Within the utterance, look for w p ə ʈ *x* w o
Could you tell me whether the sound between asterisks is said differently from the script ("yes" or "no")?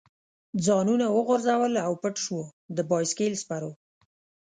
yes